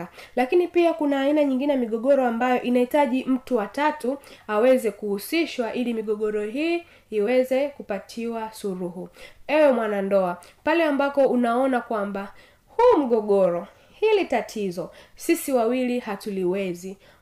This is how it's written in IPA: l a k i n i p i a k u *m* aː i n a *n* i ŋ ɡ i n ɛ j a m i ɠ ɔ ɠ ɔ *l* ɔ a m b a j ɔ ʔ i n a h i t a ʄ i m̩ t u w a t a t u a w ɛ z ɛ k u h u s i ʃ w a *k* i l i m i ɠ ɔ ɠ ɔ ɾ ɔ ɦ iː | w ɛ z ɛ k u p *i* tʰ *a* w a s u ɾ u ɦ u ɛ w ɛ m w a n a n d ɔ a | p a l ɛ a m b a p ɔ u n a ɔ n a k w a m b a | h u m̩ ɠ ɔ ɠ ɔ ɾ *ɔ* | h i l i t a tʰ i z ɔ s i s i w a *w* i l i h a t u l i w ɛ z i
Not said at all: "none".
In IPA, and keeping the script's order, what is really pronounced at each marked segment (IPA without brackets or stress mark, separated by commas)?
n, ɲ, ɾ, ʔ, a, i, ɔ, w